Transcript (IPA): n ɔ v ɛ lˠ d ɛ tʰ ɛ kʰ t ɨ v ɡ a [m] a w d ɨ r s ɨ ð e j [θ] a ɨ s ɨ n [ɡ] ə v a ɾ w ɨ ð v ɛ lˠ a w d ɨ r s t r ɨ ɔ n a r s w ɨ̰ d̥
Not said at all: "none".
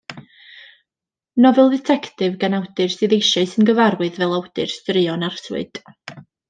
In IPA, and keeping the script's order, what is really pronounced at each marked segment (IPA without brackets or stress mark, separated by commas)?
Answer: n, ʃ, ɡ